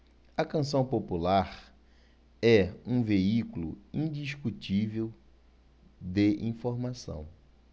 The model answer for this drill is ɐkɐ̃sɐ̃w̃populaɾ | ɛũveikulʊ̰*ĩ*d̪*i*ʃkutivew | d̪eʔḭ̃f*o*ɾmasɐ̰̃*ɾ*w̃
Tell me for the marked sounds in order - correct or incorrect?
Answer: correct, correct, correct, incorrect

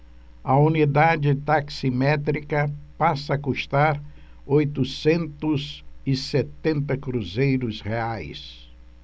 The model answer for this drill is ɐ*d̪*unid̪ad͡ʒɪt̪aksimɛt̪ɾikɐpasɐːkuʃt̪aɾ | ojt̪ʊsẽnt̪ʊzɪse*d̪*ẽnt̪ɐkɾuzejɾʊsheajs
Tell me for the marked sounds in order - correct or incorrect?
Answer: incorrect, incorrect

